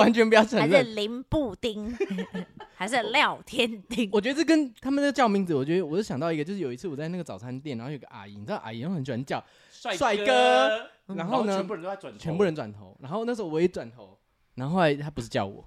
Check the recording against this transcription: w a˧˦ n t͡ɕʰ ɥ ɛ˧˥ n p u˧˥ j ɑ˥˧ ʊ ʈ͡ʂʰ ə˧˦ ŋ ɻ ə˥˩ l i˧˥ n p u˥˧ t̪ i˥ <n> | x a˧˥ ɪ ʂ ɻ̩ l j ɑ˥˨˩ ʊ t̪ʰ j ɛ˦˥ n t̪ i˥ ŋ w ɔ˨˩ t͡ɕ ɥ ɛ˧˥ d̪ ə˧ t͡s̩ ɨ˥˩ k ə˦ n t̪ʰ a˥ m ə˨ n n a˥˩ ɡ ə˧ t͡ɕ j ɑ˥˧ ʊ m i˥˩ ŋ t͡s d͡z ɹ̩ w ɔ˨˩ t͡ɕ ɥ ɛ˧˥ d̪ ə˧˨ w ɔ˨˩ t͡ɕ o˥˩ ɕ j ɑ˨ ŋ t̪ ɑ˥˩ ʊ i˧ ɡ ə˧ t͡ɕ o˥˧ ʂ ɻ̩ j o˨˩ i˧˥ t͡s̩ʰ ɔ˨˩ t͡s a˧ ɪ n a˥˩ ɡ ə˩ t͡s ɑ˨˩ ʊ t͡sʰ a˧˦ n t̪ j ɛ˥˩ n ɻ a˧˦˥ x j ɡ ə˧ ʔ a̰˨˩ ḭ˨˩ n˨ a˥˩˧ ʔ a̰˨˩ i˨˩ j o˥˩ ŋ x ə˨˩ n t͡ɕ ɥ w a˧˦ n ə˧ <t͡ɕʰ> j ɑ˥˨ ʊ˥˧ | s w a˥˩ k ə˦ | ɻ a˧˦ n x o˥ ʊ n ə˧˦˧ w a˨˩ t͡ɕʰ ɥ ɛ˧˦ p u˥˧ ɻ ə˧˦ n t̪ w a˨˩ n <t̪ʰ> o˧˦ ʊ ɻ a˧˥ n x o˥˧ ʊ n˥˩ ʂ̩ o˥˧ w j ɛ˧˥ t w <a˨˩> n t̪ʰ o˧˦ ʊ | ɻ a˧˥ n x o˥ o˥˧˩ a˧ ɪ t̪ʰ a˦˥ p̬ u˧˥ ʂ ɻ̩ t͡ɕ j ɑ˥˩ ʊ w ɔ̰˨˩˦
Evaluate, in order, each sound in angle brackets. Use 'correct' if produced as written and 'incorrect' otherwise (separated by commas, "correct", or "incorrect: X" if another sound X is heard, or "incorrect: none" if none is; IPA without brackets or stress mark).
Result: incorrect: ŋ, incorrect: t͡ɕ, correct, correct